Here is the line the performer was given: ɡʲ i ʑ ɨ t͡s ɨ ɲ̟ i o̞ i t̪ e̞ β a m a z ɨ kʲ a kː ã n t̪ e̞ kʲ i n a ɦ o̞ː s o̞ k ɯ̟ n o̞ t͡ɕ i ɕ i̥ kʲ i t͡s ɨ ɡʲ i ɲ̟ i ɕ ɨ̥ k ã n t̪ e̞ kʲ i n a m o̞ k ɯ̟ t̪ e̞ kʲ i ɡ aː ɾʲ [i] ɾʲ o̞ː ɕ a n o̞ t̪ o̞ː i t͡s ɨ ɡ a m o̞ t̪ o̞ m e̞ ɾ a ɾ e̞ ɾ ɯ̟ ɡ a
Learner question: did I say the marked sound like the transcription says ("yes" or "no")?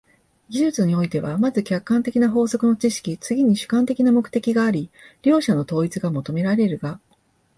yes